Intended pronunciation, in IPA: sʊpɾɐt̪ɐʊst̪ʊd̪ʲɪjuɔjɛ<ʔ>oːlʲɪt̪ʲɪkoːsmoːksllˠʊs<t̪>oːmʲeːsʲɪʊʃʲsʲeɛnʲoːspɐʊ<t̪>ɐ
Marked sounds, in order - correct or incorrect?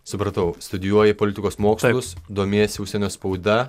incorrect: p, incorrect: d̪, incorrect: d̪

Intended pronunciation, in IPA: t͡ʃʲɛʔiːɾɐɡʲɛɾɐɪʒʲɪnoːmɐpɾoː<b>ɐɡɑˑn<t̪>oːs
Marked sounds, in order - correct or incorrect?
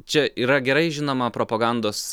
incorrect: p, incorrect: d̪

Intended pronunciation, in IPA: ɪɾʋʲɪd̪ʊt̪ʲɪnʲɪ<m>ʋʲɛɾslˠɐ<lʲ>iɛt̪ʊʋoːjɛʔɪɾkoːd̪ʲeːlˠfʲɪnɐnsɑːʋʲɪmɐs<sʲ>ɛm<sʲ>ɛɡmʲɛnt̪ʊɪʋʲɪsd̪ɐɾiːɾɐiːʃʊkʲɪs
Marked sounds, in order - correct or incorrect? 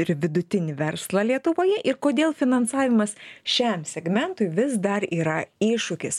incorrect: none, correct, incorrect: ʃʲ, correct

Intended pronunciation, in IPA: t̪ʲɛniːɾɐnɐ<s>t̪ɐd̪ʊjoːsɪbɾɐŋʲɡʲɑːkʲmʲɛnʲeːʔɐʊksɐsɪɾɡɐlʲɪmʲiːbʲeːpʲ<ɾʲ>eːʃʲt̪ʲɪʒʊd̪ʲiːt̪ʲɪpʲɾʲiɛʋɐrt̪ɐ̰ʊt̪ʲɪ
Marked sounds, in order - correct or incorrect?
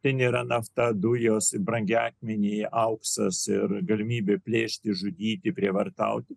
incorrect: f, incorrect: lʲ

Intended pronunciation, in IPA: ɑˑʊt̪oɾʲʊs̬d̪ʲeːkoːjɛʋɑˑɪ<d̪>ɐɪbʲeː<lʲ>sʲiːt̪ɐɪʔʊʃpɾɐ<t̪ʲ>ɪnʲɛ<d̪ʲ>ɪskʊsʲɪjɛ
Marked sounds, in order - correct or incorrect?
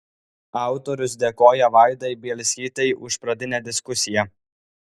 correct, correct, incorrect: d̪ʲ, correct

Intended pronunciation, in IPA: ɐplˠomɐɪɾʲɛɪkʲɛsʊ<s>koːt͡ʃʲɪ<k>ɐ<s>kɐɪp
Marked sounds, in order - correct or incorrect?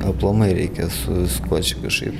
correct, correct, incorrect: ʃ

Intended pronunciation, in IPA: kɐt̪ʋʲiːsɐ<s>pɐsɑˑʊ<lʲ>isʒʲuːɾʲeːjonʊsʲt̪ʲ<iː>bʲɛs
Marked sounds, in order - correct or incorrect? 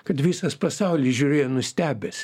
correct, correct, incorrect: æː

